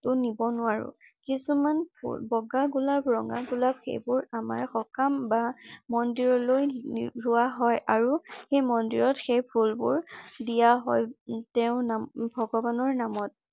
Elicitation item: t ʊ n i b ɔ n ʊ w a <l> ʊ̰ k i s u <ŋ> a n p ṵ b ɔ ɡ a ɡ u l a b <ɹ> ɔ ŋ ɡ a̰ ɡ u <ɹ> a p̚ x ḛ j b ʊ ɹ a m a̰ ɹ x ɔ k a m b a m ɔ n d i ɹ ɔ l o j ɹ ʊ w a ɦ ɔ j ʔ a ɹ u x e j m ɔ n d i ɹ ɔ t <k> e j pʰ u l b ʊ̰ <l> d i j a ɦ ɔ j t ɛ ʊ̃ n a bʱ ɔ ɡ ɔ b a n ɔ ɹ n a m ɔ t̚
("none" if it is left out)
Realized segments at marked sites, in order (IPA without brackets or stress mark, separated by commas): ɹ, m, ɹ, l, x, ɹ